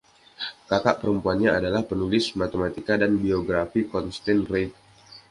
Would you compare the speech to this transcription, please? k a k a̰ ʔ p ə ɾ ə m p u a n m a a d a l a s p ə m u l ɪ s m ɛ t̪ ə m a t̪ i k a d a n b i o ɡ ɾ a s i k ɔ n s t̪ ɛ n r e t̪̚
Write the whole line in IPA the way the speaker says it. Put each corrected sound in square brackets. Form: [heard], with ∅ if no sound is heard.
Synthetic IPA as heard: k a k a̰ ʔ p ə ɾ ə m p u a n [ɲ] a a d a l a [h] p ə [n] u l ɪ s m [a] t̪ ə m a t̪ i k a d a n b i o ɡ ɾ a [f] i k ɔ n s t̪ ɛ n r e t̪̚